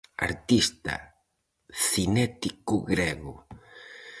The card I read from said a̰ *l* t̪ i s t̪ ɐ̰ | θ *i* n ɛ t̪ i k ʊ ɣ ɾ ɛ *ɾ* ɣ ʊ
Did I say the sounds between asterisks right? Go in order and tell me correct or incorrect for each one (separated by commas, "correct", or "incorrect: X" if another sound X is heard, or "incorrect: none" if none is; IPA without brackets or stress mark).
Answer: incorrect: ɾ, correct, incorrect: none